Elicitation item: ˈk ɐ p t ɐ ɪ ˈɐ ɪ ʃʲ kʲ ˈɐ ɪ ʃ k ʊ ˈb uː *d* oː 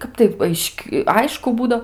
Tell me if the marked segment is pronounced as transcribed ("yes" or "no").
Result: yes